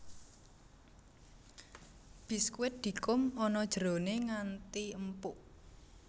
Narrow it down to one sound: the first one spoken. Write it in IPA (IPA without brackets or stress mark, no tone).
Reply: b̥